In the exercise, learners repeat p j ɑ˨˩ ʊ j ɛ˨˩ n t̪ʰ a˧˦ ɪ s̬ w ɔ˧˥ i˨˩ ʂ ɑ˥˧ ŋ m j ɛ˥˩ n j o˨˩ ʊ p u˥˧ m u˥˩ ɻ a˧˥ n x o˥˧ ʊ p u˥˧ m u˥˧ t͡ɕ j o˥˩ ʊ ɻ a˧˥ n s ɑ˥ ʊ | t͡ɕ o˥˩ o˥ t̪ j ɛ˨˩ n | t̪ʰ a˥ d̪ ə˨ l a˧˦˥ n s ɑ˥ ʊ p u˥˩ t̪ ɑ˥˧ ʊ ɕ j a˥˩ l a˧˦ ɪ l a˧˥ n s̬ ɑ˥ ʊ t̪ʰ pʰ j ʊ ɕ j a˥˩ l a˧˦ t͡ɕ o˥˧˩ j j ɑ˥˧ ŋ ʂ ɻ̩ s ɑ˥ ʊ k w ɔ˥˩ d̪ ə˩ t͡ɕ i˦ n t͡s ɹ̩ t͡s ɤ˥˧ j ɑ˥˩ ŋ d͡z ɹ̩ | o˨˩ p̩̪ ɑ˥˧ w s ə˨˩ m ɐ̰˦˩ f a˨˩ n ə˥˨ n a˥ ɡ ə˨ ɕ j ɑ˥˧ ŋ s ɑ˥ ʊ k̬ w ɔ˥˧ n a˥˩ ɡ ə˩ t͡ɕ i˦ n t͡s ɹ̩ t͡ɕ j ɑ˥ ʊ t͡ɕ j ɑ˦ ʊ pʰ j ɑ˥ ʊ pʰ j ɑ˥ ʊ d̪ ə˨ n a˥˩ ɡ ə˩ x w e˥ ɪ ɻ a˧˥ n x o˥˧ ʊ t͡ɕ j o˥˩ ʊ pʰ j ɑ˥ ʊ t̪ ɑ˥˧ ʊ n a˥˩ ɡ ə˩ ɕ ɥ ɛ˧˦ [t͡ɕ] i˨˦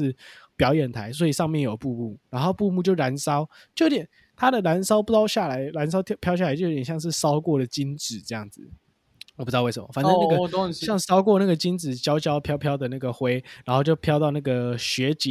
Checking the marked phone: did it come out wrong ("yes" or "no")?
no